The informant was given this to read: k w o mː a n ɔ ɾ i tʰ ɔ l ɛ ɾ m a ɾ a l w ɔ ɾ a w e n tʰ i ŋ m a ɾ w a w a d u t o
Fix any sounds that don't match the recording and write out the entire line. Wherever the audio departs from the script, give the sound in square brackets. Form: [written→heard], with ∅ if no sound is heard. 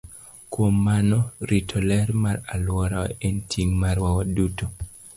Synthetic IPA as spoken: k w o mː a n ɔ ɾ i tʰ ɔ l ɛ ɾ m a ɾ a l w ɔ ɾ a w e n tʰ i ŋ m a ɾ w a w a d u t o